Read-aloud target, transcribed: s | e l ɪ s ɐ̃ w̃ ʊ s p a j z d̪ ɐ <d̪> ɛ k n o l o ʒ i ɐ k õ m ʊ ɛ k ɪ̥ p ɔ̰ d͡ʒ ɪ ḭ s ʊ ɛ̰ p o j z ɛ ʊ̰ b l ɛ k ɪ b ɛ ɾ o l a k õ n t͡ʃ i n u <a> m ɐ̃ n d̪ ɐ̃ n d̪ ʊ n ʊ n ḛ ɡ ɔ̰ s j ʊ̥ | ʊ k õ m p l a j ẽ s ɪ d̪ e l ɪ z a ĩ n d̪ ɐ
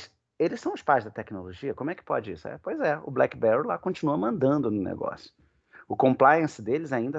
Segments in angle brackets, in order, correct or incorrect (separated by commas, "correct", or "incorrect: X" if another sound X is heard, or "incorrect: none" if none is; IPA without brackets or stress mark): incorrect: t̪, incorrect: ɐ